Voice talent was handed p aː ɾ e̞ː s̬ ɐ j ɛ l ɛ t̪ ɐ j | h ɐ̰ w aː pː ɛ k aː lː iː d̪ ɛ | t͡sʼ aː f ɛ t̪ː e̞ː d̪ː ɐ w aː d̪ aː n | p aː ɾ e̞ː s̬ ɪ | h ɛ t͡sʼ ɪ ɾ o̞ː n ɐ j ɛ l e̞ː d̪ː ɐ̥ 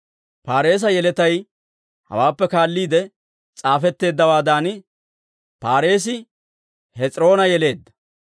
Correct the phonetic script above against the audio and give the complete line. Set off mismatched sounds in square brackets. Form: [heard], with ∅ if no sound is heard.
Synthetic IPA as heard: p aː ɾ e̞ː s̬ ɐ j ɛ l ɛ t̪ ɐ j | h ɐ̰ w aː pː ɛ k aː lː iː d̪ ɛ | t͡sʼ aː f ɛ t̪ː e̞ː d̪ː ɐ w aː d̪ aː n | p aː ɾ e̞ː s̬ ɪ | h ɛ t͡sʼ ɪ ɾ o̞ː n ɐ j ɛ l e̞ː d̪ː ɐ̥